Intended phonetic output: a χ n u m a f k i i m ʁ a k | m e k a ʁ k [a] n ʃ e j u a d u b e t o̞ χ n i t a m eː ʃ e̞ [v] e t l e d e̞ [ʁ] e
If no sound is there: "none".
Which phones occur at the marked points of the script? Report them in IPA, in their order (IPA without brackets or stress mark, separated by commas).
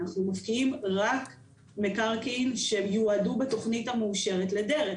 i, ʁ, ʁ